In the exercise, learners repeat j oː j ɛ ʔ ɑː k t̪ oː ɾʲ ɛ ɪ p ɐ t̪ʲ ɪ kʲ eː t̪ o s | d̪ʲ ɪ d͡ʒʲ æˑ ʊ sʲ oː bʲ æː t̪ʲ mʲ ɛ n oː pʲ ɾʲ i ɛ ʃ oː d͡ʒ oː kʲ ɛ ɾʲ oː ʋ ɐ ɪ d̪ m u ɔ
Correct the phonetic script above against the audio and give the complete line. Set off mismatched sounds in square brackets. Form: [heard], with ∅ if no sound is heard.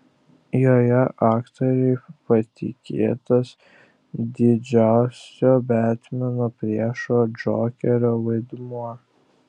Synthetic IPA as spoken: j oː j ɛ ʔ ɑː k t̪ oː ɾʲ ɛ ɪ p ɐ t̪ʲ ɪ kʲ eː t̪ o s | d̪ʲ ɪ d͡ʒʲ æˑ ʊ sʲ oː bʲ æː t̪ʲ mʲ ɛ n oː pʲ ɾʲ i ɛ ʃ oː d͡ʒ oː kʲ ɛ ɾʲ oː ʋ ɐ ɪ d̪ m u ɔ